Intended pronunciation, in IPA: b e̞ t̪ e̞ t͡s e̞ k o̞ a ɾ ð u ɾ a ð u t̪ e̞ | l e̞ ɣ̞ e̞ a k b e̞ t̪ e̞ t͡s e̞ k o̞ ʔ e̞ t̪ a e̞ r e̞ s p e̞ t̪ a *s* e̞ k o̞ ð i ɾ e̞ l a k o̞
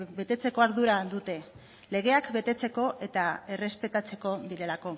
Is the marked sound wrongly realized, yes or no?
yes